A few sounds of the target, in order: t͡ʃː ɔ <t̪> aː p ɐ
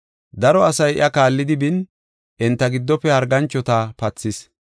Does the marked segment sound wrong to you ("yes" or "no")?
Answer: no